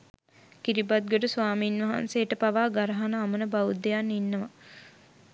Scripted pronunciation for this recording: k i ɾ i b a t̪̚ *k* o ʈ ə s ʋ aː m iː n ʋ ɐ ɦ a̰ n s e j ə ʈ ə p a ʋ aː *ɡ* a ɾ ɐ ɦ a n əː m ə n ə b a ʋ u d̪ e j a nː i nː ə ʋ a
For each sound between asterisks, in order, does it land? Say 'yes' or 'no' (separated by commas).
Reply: no, yes